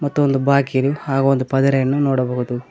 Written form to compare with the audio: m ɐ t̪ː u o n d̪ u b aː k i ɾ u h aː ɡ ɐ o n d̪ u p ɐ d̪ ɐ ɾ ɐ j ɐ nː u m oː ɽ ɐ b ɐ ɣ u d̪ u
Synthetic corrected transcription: m ɐ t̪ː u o n d̪ u b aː k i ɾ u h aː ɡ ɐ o n d̪ u p ɐ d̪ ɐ ɾ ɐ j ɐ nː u n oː ɽ ɐ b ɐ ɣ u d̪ u